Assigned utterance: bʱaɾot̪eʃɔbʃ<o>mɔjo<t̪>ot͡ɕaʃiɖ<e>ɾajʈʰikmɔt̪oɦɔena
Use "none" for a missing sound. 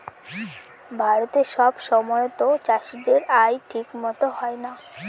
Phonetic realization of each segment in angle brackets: ɔ, t̪, e

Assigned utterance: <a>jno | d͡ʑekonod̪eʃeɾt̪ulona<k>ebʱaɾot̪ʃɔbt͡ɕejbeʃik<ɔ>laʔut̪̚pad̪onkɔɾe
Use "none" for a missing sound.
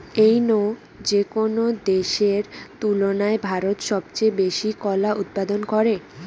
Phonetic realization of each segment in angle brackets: e, none, ɔ

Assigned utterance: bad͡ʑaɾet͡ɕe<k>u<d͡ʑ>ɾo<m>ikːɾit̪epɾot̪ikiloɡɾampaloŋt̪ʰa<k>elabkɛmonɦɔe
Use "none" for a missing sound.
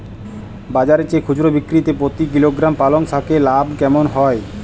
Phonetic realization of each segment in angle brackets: kʰ, d͡ʑ, b, k

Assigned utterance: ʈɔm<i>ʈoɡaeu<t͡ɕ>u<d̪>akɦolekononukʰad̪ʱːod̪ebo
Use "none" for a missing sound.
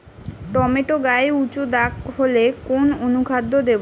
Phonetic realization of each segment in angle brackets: e, t͡ɕ, d̪

